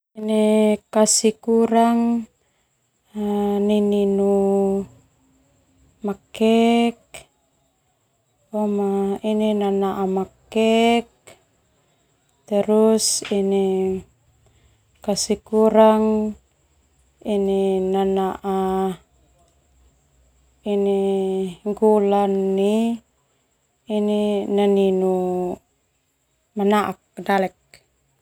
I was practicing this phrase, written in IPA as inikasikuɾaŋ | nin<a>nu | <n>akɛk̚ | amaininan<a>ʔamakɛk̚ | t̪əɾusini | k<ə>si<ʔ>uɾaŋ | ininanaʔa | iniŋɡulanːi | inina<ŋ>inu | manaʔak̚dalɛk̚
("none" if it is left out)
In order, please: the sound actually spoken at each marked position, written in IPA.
i, m, a, a, k, n

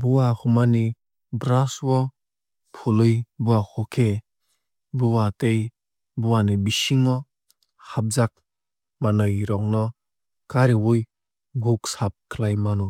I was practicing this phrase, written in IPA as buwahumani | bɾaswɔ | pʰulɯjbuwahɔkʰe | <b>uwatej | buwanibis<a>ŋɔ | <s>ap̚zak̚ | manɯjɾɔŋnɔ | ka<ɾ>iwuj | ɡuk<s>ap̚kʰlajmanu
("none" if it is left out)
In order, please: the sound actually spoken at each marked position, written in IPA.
b, i, h, ɾ, s

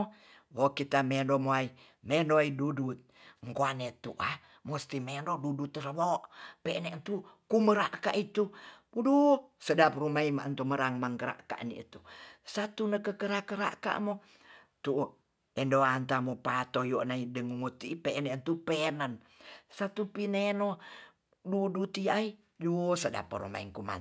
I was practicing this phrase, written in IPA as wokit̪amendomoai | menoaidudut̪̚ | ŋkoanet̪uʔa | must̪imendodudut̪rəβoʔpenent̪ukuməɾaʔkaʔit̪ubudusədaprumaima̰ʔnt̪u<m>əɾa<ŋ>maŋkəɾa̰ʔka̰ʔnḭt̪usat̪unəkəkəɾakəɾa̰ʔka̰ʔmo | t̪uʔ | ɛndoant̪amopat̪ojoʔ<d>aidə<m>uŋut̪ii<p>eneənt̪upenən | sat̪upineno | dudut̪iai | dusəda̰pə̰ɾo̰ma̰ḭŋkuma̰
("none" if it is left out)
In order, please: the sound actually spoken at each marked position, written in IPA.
m, ŋ, n, ŋ, p

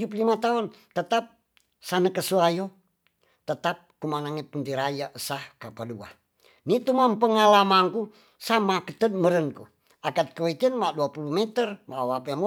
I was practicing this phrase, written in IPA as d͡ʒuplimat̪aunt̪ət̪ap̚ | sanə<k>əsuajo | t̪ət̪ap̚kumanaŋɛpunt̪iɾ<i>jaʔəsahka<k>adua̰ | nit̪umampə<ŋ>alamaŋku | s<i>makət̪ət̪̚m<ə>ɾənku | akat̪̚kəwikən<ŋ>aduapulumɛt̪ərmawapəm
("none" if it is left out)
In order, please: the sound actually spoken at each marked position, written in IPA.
k, a, p, ŋ, a, ə, m

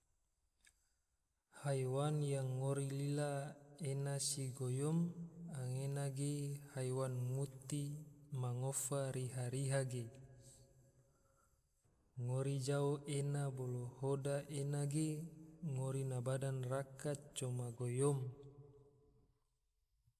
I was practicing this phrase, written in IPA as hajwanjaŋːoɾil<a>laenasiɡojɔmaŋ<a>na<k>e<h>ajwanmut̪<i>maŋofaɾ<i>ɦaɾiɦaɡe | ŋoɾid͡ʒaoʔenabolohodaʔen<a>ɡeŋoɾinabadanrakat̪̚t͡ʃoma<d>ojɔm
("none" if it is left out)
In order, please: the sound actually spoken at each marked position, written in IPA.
i, e, ɡ, h, i, i, a, ɡ

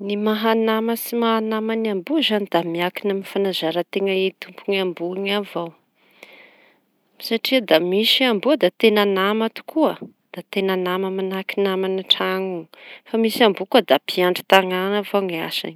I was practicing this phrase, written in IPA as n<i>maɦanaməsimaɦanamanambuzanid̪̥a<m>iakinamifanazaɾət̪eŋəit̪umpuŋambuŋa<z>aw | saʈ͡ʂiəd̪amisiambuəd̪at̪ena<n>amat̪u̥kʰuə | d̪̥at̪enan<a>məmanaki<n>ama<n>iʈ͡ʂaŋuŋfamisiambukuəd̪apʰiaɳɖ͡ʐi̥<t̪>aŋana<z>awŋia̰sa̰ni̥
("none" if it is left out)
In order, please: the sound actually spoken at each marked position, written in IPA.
i, m, v, n, a, n, n, t̪, v

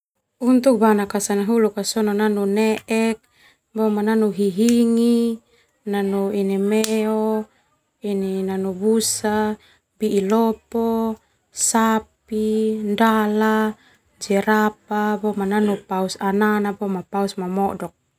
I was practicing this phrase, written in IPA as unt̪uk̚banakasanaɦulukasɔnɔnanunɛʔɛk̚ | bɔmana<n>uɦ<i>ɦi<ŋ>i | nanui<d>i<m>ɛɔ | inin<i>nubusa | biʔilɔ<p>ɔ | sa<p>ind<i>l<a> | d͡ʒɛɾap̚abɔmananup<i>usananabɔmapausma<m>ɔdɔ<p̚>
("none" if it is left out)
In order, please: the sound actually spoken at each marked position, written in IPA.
n, i, ŋ, n, m, a, p, p, a, a, a, m, k̚

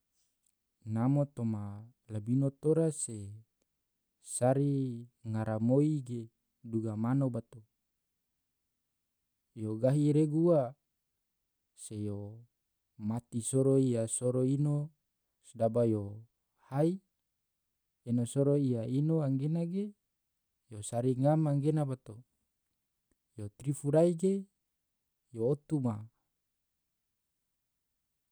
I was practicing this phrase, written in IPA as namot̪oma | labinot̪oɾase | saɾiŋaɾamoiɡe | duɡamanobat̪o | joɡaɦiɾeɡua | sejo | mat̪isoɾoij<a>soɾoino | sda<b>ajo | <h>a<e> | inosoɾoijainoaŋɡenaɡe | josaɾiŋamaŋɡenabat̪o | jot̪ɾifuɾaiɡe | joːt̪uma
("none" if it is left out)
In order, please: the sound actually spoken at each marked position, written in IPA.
a, b, h, i

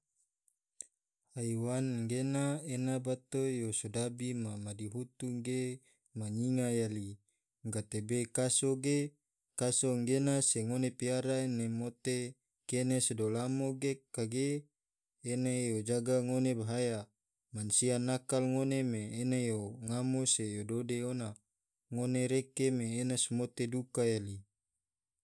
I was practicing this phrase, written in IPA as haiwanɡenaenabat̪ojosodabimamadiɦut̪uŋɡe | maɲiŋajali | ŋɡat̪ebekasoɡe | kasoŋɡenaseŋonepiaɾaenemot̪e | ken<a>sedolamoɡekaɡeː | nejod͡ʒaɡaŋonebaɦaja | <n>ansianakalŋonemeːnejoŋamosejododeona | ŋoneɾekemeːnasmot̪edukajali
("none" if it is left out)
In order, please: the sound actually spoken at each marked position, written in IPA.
e, m

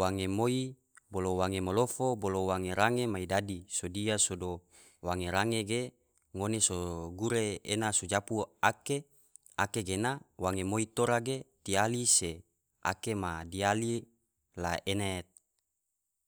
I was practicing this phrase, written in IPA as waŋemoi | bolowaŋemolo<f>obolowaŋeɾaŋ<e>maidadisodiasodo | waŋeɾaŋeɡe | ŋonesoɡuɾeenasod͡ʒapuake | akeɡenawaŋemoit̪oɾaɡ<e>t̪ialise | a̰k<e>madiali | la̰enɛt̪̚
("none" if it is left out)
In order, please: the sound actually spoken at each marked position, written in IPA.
f, e, e, e

